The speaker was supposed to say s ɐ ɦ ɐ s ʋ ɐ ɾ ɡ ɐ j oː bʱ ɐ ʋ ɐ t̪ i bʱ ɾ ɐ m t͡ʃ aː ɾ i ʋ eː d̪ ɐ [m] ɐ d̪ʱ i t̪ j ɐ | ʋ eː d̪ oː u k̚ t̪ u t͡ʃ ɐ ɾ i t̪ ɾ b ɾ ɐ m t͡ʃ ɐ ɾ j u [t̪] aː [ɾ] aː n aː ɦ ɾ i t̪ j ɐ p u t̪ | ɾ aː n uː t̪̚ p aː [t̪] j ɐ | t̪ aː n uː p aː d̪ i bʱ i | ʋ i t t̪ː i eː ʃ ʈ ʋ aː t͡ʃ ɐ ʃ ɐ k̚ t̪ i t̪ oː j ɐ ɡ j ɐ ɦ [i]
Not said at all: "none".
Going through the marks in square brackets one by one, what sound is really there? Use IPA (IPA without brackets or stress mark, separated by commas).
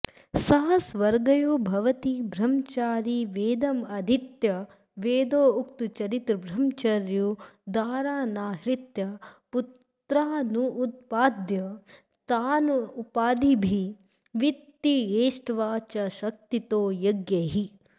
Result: m, d̪, ɾ, d̪, i